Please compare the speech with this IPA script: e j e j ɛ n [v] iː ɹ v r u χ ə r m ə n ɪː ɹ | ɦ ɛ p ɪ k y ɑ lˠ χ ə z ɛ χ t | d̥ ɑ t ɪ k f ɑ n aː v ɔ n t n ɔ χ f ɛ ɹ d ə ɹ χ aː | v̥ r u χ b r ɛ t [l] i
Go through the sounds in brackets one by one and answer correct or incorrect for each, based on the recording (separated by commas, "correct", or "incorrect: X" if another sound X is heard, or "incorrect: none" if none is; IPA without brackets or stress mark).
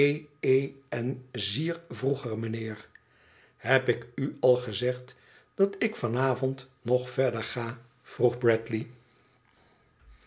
incorrect: z, correct